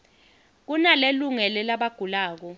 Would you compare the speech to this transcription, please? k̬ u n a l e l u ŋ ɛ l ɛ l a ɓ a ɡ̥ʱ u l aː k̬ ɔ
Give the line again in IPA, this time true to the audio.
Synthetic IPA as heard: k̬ u n a l e l u ŋ ɛ l ɛ l a ɓ a ɡ̥ʱ u l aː k̬ ɔ